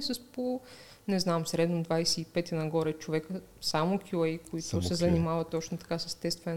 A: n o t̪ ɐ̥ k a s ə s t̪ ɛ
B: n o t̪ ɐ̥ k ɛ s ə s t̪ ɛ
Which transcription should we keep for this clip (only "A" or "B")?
A